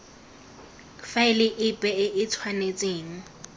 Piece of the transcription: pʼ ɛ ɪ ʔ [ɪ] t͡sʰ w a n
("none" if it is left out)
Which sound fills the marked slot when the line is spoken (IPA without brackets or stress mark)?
ɪ